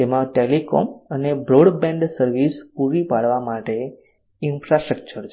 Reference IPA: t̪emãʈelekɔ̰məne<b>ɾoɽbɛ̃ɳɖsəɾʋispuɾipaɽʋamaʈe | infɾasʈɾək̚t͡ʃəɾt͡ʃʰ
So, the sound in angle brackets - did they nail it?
yes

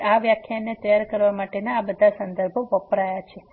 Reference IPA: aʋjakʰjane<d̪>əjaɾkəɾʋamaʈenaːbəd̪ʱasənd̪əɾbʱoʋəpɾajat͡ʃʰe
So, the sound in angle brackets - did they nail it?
no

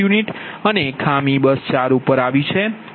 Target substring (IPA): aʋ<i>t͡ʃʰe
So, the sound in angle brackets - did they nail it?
yes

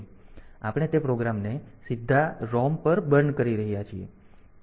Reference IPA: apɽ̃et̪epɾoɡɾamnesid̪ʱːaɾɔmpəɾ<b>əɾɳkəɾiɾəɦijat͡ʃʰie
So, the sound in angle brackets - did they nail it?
yes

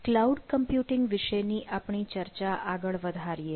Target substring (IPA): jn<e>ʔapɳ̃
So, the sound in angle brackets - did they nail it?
no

